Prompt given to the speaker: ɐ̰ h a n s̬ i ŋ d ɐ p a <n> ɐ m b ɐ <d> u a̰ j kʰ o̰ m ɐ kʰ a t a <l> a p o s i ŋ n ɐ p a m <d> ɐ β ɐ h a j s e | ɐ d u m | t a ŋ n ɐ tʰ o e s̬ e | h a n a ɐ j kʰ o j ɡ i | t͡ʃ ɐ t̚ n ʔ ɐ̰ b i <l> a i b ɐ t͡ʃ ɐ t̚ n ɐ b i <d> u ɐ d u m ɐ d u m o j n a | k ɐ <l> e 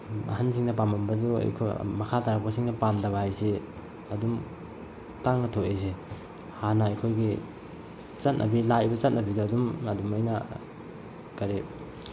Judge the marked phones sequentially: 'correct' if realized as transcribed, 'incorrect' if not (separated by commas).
incorrect, correct, incorrect, correct, correct, correct, incorrect